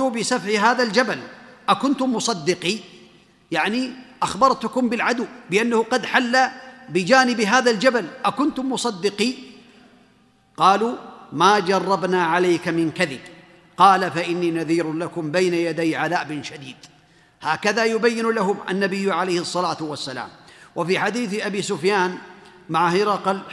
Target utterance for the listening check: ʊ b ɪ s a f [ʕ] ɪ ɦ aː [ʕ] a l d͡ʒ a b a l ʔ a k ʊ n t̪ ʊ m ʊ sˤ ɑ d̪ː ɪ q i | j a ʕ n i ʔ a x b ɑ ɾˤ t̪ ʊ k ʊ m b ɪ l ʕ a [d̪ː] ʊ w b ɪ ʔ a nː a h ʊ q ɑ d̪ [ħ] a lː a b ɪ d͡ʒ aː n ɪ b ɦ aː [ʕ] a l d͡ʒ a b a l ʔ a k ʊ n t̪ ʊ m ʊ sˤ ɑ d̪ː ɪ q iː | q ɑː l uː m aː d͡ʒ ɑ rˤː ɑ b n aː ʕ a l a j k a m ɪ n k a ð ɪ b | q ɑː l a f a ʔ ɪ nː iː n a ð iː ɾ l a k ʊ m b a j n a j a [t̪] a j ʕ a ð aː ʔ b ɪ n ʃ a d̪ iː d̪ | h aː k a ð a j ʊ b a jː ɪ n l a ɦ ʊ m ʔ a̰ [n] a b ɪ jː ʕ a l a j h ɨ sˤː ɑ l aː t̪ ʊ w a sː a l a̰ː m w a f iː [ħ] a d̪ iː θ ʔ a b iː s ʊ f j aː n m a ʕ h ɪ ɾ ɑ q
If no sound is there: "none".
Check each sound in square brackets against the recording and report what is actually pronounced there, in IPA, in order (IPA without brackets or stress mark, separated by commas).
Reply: ʕ, ð, d̪, ħ, ð, d̪, nː, ħ